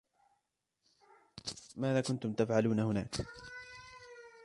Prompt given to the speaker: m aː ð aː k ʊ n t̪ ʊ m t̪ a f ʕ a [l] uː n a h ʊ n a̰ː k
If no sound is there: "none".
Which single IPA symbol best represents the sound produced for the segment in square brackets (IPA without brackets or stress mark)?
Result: l